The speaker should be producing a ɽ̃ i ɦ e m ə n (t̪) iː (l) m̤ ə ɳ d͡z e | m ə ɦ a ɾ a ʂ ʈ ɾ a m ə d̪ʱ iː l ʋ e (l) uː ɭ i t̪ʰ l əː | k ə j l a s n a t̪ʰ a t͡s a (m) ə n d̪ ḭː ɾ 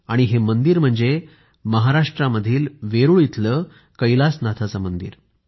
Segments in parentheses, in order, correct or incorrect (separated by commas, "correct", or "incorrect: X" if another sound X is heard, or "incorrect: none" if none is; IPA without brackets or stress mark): incorrect: d̪, incorrect: ɾ, incorrect: ɾ, correct